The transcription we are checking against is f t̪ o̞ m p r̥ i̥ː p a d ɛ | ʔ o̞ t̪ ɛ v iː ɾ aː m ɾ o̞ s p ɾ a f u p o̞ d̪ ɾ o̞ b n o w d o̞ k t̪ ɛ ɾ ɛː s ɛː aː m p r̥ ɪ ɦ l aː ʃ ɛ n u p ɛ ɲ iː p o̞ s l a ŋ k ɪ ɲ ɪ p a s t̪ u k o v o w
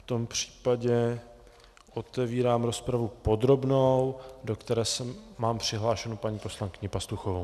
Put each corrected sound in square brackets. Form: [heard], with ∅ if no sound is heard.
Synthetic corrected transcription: f t̪ o̞ m p r̥ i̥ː p a [ɟ] ɛ | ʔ o̞ t̪ ɛ v iː ɾ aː m ɾ o̞ s p ɾ a [v] u p o̞ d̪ ɾ o̞ b n o w d o̞ k t̪ ɛ ɾ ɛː s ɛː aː m p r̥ ɪ ɦ l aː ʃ ɛ n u p [a] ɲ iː p o̞ s l a ŋ k ɪ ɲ ɪ p a s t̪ u [x] o v o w